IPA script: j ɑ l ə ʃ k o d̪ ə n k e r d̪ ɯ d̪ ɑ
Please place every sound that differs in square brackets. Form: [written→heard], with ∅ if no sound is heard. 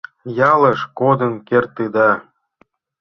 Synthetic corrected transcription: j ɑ l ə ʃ k o d̪ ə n k e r [d̪→t̪] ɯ d̪ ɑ